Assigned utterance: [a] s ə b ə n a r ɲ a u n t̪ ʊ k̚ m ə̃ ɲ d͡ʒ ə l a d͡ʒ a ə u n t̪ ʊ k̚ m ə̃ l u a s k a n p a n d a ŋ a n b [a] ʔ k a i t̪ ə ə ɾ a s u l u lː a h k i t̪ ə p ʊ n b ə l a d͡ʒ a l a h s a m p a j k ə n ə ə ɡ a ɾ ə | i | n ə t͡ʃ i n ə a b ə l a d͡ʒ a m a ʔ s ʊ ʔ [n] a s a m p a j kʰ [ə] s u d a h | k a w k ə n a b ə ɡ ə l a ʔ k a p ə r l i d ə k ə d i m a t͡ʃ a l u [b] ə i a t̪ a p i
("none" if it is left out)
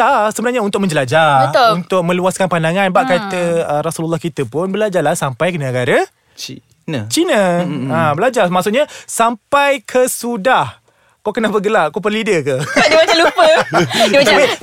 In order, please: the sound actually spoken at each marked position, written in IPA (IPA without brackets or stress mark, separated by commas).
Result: a, a, ɲ, ə, p